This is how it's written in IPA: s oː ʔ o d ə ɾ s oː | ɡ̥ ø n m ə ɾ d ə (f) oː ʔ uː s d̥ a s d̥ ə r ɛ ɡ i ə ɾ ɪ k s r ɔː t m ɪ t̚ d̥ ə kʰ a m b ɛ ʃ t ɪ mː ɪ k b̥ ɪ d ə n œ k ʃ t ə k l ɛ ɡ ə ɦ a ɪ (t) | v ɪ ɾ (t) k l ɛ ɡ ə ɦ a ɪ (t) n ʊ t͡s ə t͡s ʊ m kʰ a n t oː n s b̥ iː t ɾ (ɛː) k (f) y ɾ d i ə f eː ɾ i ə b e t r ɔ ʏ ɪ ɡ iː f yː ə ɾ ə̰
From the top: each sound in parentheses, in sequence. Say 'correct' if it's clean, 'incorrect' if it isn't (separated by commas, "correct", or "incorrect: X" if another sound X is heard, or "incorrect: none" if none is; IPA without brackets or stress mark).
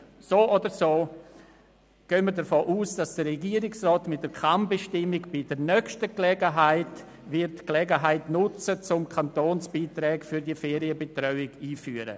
correct, correct, correct, correct, correct, correct